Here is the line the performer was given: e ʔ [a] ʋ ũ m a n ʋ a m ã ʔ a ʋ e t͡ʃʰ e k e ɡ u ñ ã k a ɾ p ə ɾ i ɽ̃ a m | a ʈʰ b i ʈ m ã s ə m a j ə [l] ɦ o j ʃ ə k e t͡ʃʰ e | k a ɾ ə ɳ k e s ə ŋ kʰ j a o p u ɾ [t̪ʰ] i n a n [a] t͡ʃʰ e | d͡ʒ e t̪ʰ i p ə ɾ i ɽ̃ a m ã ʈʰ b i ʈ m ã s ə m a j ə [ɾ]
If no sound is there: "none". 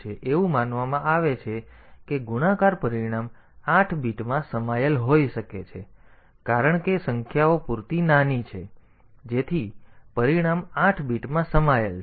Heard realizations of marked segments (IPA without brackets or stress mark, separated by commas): e, l, t̪, i, l